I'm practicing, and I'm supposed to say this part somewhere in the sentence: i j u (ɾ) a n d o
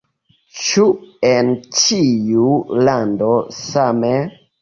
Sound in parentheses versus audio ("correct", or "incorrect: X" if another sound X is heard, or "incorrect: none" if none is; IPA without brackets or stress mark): incorrect: l